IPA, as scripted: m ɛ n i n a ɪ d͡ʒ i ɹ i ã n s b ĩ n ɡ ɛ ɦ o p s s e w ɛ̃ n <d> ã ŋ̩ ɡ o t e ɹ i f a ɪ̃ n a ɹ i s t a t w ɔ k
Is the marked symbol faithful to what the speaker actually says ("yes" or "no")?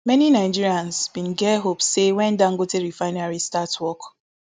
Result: yes